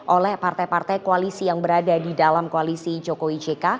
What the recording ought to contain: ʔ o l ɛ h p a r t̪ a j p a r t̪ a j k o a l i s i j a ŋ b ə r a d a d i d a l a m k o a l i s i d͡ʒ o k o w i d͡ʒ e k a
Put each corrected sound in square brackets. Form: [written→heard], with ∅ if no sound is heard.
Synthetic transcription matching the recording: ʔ o l ɛ h p a r t̪ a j p a r t̪ a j k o a l i s i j a ŋ b ə [r→ɾ] a d a d i d a l a m k o a l i s i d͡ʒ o k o w i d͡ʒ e k a